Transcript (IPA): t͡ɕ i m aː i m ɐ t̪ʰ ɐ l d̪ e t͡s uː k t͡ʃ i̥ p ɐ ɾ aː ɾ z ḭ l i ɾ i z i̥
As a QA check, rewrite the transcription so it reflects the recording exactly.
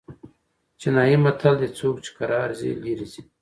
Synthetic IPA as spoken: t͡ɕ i n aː i m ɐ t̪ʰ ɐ l d̪ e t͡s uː k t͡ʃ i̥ k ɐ ɾ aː ɾ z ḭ l i ɾ i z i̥